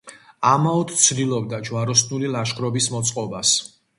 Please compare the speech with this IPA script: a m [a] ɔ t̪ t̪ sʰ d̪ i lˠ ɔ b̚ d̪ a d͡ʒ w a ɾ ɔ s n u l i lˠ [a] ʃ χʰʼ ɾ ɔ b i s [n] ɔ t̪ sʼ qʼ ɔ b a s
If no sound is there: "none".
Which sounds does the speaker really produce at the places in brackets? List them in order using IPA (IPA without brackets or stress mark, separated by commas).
a, a, m